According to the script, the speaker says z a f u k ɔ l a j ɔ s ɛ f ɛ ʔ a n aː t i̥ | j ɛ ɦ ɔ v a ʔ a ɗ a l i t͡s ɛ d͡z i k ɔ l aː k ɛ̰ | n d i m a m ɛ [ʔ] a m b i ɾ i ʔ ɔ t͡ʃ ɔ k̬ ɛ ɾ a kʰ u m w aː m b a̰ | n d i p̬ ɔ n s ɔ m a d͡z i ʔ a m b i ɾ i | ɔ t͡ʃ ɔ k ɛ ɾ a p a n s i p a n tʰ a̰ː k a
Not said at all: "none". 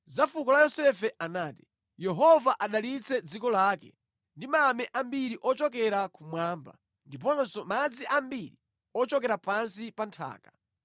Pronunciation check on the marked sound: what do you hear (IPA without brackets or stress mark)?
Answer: ʔ